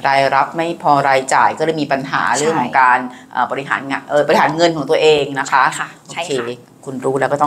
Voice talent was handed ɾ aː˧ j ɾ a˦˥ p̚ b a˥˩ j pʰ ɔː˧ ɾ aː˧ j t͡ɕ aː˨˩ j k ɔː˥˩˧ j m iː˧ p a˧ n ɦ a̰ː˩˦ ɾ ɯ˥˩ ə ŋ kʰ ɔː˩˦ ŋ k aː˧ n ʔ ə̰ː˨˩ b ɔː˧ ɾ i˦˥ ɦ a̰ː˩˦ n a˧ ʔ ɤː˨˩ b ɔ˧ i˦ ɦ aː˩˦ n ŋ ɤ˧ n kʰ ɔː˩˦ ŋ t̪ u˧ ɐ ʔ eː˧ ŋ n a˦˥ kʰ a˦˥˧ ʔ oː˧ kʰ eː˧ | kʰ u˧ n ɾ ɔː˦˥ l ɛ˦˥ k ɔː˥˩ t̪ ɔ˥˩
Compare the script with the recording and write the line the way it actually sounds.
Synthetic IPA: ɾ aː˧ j ɾ a˦˥ p̚ m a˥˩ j pʰ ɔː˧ ɾ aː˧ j t͡ɕ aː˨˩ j k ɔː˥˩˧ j m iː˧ p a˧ n ɦ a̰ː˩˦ ɾ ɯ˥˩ ə ŋ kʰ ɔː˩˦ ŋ k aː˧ n ʔ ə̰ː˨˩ b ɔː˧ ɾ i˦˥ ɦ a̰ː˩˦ n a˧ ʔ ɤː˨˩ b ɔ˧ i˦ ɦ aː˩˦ n ŋ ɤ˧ n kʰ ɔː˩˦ ŋ t̪ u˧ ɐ ʔ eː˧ ŋ n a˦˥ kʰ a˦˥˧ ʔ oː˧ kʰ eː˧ | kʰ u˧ n ɾ uː˦˥ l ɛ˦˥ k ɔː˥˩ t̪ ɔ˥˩